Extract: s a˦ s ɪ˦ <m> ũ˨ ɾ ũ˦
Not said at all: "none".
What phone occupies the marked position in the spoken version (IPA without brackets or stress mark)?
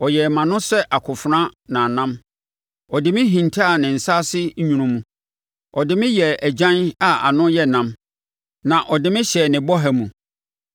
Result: ɲ